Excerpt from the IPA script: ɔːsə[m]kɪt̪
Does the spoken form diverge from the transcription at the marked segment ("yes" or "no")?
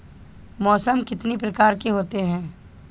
no